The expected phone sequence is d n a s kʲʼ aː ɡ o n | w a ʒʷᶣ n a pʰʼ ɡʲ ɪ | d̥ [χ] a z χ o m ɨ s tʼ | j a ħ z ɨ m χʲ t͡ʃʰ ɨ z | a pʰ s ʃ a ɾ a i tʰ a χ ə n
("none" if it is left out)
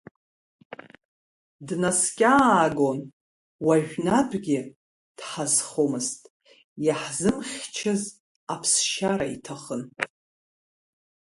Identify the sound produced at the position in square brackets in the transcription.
ħ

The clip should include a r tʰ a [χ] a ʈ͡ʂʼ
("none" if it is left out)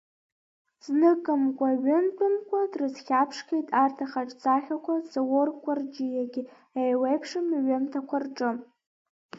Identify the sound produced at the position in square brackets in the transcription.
χ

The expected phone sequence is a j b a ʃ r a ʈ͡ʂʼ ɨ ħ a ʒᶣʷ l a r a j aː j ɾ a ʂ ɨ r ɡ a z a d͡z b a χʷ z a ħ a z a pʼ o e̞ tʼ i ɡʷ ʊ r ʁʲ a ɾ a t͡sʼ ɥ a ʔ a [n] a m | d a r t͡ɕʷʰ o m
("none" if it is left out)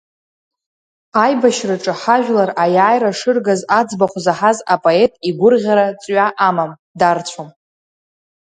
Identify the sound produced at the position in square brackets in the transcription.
m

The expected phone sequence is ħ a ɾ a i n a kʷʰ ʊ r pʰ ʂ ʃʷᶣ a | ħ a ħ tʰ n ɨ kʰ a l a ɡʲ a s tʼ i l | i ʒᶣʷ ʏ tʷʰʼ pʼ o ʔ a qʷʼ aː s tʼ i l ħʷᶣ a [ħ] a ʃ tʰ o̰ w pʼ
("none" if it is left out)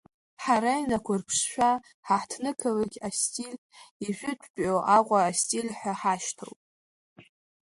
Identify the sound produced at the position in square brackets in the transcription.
ħ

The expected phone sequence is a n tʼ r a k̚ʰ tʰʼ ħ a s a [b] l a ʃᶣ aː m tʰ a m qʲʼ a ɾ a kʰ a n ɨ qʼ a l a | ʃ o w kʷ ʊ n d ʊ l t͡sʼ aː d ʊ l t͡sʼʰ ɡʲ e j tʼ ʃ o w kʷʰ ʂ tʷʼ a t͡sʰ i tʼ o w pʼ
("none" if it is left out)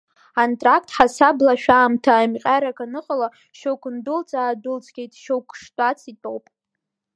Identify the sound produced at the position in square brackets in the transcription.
b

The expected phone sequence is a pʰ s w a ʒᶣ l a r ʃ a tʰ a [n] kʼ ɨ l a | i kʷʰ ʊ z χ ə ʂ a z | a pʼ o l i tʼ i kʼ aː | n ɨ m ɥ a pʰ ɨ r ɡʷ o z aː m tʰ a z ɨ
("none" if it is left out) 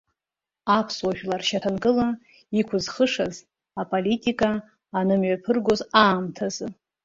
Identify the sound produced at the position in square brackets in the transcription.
n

